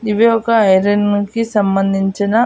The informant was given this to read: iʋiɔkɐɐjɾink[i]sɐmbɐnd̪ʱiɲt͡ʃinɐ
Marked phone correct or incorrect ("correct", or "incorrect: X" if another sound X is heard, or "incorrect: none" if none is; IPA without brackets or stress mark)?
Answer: correct